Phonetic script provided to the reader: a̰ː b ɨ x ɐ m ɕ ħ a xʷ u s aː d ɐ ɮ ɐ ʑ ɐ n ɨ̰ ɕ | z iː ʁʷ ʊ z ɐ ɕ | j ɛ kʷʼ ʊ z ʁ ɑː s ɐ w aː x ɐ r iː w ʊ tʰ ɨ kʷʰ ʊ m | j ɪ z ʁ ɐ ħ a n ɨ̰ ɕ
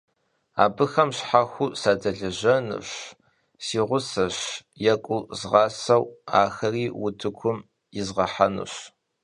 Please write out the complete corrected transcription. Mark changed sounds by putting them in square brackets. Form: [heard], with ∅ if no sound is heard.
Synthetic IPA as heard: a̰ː b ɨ x ɐ m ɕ ħ a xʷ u s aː d ɐ ɮ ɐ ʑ ɐ n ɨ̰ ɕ | [s] iː ʁʷ ʊ [s] ɐ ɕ | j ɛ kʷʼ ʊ z ʁ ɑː s ɐ w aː x ɐ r iː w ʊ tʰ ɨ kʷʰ ʊ m | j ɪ z ʁ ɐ ħ a n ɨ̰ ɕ